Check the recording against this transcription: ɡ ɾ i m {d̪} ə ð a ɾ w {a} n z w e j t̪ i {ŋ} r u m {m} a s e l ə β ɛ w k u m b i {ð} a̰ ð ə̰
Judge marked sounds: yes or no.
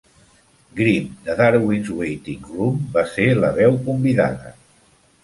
yes, no, yes, no, yes

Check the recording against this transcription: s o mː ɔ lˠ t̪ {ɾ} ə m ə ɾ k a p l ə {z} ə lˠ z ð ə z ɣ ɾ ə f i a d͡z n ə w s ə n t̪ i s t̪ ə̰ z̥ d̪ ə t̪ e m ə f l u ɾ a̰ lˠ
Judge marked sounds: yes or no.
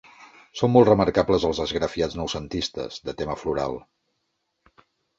no, yes

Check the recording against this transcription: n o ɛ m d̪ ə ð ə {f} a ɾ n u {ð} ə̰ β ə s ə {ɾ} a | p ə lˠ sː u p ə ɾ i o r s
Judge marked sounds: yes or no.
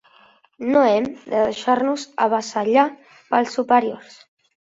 no, no, no

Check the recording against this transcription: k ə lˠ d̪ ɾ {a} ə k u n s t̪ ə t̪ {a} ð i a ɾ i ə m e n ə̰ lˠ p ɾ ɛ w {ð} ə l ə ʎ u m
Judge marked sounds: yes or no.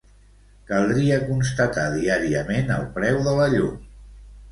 no, yes, yes

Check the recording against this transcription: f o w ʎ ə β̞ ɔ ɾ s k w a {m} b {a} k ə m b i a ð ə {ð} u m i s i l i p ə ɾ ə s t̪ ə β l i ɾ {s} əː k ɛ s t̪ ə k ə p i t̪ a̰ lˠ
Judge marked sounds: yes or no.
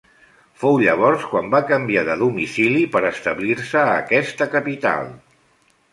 yes, yes, yes, yes

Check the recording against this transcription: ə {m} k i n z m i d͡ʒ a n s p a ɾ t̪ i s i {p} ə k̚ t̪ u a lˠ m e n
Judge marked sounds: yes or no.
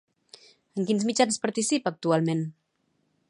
no, yes

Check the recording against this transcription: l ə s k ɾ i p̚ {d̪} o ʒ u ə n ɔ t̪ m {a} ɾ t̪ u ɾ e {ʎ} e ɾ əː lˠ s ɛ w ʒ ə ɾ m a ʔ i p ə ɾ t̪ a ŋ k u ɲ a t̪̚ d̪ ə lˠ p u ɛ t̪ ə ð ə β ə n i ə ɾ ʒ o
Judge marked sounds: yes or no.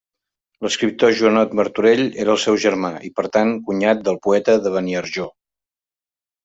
no, no, yes

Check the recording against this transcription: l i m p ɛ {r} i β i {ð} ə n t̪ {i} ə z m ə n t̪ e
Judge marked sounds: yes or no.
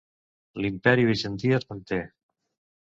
no, no, yes

